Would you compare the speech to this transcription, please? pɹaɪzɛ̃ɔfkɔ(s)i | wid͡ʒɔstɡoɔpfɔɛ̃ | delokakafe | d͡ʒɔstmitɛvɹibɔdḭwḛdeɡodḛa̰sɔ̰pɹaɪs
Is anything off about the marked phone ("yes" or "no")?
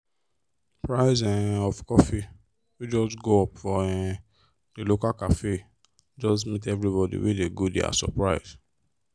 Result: yes